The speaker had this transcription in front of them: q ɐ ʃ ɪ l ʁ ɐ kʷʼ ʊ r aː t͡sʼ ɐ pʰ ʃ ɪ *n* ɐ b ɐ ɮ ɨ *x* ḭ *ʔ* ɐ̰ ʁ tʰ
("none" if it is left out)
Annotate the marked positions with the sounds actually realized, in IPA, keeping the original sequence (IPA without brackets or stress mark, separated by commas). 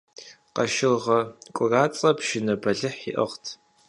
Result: n, ħ, ʔ